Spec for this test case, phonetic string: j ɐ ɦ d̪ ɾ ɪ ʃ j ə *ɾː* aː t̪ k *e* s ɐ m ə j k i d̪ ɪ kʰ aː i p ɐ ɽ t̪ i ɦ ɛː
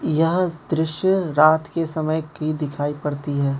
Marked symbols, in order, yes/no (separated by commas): no, yes